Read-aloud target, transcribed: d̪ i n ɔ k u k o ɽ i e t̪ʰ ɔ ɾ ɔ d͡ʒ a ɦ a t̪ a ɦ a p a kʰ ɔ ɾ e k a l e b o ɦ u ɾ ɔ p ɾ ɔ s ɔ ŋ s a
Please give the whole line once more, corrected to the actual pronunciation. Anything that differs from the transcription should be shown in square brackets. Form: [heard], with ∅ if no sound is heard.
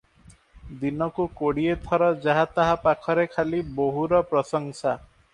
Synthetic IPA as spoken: d̪ i n ɔ k u k o ɽ i e t̪ʰ ɔ ɾ ɔ d͡ʒ a ɦ a t̪ a ɦ a p a kʰ ɔ ɾ e [kʰ] a l [i] b o ɦ u ɾ ɔ p ɾ ɔ s ɔ ŋ s a